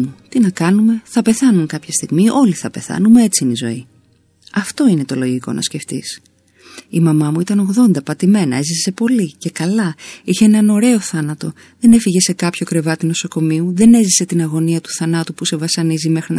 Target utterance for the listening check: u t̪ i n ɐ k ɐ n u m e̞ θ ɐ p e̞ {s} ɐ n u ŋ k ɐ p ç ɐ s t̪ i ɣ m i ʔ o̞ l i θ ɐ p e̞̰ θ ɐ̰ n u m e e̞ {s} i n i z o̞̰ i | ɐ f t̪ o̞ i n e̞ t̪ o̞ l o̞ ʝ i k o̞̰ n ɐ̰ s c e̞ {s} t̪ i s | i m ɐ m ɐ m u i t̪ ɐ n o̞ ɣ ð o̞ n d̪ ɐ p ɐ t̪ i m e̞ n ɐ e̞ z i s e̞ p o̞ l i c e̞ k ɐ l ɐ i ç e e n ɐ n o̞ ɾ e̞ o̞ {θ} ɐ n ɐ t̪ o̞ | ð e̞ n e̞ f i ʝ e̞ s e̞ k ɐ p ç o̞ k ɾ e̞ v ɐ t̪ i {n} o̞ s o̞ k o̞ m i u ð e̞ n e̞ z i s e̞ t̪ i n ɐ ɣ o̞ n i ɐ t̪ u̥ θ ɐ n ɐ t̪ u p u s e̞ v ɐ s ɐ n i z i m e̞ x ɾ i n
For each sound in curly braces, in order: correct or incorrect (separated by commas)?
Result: incorrect, incorrect, incorrect, correct, correct